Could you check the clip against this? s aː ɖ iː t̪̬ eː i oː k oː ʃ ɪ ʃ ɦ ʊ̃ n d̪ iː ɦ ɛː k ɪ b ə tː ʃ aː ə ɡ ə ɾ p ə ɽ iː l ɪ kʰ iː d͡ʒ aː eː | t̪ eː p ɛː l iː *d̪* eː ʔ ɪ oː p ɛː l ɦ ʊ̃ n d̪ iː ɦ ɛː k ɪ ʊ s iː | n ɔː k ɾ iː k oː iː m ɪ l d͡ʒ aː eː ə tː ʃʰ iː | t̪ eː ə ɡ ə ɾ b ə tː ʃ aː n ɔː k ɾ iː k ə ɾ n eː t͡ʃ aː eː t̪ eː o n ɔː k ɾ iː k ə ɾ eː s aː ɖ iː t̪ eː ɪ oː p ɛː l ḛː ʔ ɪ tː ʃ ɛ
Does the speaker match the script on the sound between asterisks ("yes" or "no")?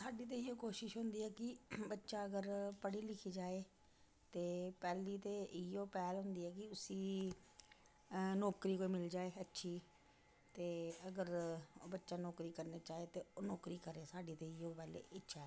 no